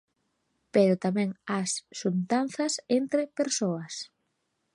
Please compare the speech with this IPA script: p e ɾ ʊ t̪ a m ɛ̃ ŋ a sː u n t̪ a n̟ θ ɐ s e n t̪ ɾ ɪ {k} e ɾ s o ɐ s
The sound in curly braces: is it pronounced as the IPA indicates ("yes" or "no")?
no